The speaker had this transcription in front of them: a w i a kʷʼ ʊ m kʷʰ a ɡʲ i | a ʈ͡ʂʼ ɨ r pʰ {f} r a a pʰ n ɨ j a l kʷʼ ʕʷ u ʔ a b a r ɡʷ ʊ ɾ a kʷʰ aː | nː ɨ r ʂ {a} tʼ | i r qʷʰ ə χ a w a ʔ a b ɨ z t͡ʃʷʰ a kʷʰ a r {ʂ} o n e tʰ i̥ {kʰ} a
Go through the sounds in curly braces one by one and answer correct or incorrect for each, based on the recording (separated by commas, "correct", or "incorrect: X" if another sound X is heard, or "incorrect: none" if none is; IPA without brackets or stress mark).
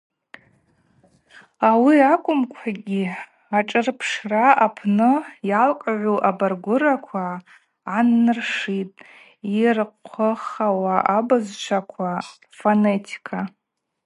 incorrect: ʂ, incorrect: i, incorrect: f, correct